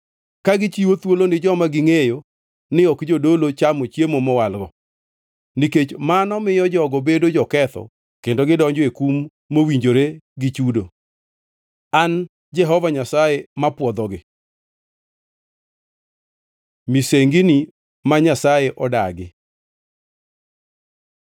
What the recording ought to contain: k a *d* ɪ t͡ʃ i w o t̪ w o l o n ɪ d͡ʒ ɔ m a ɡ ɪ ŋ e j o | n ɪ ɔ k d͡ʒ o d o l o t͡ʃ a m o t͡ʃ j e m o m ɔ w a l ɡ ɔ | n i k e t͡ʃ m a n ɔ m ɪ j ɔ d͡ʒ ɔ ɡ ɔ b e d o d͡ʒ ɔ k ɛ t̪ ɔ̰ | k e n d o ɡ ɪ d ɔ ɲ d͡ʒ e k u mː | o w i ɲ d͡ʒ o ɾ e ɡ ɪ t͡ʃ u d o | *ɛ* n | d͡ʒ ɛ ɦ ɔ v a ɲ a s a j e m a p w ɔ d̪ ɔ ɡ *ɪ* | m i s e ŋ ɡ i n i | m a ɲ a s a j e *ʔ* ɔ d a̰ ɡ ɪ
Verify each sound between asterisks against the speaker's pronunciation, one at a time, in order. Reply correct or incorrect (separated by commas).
incorrect, incorrect, correct, correct